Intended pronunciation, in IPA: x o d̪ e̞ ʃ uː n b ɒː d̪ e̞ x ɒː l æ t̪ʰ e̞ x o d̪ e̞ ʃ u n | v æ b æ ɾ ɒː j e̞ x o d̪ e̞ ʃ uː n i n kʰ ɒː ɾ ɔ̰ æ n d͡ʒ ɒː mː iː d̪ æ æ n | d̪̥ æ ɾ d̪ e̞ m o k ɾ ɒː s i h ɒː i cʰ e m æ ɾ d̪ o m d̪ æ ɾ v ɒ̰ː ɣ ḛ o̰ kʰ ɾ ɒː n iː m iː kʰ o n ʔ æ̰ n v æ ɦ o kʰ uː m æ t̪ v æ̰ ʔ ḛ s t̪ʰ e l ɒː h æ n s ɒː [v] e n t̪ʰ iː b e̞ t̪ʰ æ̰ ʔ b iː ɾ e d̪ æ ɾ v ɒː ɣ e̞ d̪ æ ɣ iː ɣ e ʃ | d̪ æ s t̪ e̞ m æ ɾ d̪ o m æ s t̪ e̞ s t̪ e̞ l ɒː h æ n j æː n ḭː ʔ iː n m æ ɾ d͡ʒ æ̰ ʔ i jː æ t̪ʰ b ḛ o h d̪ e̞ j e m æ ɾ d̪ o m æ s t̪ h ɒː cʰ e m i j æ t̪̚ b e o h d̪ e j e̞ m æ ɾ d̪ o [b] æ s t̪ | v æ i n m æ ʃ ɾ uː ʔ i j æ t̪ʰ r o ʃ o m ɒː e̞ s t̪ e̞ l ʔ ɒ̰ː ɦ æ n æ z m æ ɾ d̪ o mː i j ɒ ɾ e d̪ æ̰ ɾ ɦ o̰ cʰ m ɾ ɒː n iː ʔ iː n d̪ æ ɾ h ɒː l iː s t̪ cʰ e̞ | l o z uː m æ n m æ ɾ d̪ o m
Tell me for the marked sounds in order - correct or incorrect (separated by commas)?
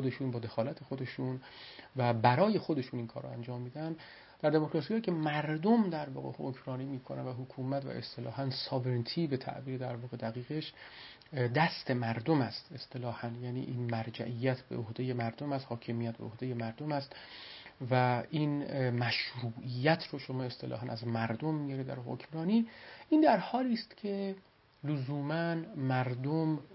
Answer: correct, incorrect